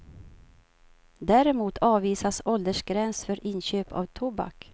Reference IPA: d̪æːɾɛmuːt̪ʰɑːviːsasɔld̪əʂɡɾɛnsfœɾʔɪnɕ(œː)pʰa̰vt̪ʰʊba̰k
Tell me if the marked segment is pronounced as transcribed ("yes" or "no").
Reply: no